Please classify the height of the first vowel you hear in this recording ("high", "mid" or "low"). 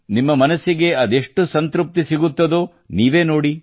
high